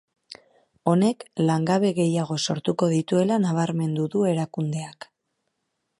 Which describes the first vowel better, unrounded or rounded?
rounded